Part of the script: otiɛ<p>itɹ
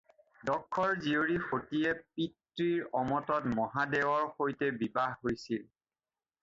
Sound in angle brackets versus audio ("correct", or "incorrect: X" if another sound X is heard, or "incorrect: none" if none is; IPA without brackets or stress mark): correct